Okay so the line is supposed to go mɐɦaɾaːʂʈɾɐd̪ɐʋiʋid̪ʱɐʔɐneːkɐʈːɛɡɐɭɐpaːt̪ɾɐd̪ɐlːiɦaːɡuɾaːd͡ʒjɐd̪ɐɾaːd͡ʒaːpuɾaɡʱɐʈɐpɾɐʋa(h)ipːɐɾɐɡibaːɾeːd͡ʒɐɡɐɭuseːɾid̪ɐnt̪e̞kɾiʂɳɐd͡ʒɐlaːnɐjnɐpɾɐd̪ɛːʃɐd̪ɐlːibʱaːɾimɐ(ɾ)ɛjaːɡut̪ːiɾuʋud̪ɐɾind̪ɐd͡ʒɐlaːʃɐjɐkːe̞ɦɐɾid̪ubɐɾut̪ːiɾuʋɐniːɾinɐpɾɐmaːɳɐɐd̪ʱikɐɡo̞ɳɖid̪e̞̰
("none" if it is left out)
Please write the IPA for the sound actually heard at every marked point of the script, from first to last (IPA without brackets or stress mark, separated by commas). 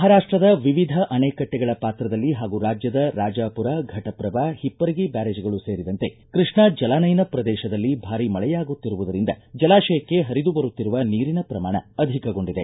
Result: h, ɭ